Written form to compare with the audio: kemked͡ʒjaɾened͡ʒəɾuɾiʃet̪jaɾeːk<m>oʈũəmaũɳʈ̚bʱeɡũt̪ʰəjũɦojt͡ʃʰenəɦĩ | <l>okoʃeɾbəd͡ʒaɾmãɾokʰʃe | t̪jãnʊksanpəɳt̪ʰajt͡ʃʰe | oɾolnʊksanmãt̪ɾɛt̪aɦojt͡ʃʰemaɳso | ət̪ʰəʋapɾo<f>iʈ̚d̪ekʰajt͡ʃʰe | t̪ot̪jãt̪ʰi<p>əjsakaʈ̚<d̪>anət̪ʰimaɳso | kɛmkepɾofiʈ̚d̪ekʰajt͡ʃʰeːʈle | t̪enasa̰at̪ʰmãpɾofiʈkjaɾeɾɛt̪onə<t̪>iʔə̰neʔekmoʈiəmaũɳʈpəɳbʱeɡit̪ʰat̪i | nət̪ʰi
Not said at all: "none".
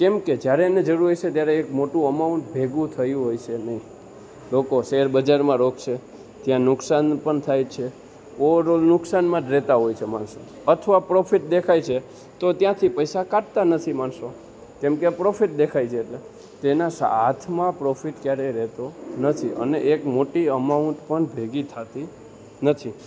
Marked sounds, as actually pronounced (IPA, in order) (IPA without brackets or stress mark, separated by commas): m, l, f, p, t̪, t̪ʰ